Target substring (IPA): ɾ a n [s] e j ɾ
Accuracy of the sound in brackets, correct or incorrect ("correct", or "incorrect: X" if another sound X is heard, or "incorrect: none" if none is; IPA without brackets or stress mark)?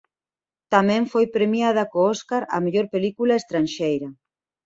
incorrect: ʃ